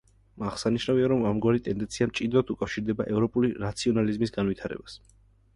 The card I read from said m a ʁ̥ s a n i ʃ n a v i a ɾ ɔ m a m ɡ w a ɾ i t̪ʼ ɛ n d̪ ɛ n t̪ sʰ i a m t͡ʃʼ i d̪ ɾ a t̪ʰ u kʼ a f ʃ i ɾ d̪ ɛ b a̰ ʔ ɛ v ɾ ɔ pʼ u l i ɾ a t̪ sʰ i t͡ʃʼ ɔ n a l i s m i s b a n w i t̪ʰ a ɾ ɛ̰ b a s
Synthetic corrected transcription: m a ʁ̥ s a n i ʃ n a v i a ɾ ɔ m a m ɡ w a ɾ i t̪ʼ ɛ n d̪ ɛ n t̪ sʰ i a m t͡ʃʼ i d̪ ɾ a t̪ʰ u kʼ a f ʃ i ɾ d̪ ɛ b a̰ ʔ ɛ v ɾ ɔ pʼ u l i ɾ a t̪ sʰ i ɔ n a l i z m i s ɡ a n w i t̪ʰ a ɾ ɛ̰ b a s